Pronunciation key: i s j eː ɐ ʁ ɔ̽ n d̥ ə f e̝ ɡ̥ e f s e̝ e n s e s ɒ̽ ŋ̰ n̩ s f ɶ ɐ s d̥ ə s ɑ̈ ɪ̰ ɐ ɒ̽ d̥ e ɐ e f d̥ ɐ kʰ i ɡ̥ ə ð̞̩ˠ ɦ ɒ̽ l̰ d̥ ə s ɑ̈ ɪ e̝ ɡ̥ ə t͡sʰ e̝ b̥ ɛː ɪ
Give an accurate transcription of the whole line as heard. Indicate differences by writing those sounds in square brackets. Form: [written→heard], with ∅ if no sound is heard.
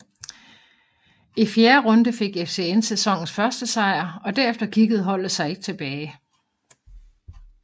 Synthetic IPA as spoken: i [s→f] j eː ɐ ʁ ɔ̽ n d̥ ə f e̝ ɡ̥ e f s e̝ e n s e s ɒ̽ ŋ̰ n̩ s f ɶ ɐ s d̥ ə s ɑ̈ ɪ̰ ɐ ɒ̽ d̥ [e→æ] ɐ e f d̥ ɐ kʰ i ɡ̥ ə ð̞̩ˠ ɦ ɒ̽ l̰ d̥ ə s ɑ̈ ɪ e̝ ɡ̥ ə t͡sʰ e̝ b̥ ɛː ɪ